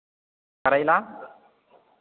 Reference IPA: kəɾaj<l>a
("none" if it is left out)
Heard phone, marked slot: l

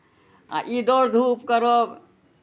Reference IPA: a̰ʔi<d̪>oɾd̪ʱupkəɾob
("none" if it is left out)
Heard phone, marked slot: d̪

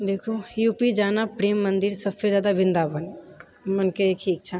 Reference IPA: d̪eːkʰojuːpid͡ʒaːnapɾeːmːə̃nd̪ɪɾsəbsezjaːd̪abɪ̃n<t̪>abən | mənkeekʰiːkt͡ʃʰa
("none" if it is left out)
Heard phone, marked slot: d̪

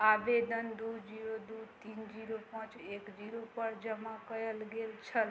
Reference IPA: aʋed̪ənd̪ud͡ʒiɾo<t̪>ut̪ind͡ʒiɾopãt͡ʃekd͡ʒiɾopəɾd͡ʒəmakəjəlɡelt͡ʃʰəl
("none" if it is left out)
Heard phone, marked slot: d̪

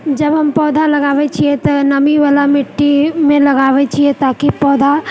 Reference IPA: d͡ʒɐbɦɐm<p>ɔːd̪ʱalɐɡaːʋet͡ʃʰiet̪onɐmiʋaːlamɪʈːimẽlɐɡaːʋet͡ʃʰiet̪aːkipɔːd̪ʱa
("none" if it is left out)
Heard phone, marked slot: p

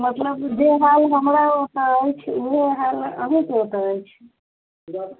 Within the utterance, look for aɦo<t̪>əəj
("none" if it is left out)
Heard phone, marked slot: t̪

